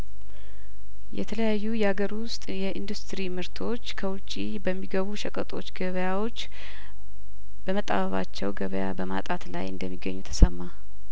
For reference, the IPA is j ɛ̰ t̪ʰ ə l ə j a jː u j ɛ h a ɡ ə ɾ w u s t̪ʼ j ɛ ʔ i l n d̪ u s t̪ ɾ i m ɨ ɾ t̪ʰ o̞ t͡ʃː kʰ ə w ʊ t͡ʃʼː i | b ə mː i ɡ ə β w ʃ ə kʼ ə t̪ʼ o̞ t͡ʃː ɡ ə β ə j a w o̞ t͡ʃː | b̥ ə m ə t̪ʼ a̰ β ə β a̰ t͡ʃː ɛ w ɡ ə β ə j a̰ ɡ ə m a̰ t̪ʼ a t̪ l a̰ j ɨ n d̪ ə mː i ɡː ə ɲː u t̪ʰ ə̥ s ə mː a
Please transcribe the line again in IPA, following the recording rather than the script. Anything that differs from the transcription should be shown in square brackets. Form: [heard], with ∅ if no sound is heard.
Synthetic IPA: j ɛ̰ t̪ʰ ə l ə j a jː u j ɛ h a ɡ ə ɾ w [ʊ] s t̪ʼ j ɛ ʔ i [∅] n d̪ u s t̪ ɾ i m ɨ ɾ t̪ʰ o̞ t͡ʃː kʰ ə w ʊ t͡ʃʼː i | b ə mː i ɡ ə β [u] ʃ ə kʼ ə t̪ʼ o̞ t͡ʃː ɡ ə β ə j a w o̞ t͡ʃː | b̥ ə m ə t̪ʼ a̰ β ə β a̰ t͡ʃː ɛ w ɡ ə β ə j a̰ [b] ə m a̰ t̪ʼ a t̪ l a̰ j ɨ n d̪ ə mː i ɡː ə ɲː u t̪ʰ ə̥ s ə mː a